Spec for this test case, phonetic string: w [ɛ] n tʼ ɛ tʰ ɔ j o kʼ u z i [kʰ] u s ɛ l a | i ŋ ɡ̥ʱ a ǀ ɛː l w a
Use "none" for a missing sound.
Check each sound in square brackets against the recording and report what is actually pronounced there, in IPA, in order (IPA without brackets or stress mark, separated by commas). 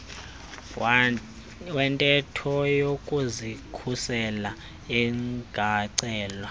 ɛ, kʰ